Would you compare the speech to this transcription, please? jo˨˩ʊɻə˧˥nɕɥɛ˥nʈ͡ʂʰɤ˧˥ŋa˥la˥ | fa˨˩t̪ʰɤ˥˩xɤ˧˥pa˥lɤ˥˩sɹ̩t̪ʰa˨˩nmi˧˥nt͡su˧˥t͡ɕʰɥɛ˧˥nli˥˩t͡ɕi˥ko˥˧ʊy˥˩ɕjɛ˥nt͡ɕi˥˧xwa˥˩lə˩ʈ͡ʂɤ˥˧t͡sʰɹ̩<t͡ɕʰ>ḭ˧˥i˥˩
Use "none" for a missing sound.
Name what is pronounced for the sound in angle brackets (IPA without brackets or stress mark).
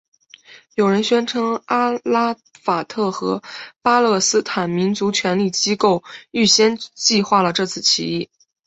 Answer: t͡ɕʰ